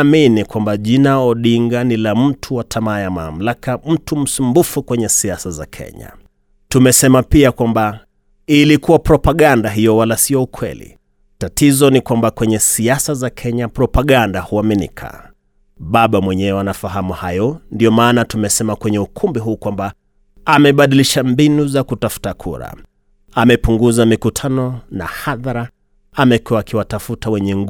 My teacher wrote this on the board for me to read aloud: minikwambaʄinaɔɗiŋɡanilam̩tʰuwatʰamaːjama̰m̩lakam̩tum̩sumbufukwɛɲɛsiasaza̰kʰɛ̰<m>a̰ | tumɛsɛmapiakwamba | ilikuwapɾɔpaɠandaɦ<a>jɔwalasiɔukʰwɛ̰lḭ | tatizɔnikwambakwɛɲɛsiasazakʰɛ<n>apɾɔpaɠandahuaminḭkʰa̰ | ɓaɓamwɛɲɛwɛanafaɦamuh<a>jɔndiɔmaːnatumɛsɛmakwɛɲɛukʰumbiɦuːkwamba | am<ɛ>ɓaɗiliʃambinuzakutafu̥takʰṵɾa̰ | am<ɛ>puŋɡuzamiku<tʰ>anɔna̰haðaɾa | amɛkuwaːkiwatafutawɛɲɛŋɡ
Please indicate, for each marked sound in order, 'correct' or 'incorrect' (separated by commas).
incorrect, incorrect, incorrect, correct, correct, correct, correct